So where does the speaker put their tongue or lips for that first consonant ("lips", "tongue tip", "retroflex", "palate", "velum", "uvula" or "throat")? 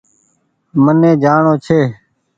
lips